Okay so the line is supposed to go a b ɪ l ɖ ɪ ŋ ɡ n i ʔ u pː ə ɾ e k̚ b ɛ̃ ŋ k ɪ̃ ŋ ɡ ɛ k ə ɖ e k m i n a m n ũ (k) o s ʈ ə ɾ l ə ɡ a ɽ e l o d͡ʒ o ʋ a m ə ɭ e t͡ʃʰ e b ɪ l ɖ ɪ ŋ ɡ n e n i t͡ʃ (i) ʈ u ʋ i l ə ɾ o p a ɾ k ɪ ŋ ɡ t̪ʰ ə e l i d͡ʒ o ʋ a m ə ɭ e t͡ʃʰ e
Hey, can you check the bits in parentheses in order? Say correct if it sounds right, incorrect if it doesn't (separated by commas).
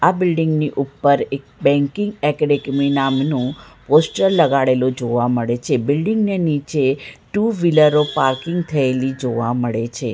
incorrect, incorrect